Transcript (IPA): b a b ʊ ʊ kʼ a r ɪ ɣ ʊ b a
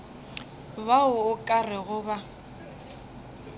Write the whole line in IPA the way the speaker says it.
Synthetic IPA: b a ʊ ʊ kʼ a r ɪ ɣ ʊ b a